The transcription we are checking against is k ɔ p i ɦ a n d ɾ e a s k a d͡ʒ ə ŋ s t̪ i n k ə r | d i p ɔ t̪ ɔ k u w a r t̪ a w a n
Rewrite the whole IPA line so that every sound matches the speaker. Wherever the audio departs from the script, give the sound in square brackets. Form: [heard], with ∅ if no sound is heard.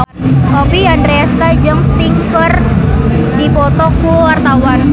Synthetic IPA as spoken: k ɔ p i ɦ a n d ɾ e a s k a d͡ʒ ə ŋ s t̪ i [ŋ] k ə r | d i p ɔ t̪ ɔ k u w a r t̪ a w a n